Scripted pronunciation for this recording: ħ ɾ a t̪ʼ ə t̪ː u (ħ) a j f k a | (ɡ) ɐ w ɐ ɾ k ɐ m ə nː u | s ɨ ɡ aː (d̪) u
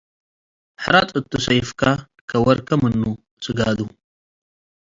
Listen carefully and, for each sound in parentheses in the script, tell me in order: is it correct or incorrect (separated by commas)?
incorrect, incorrect, correct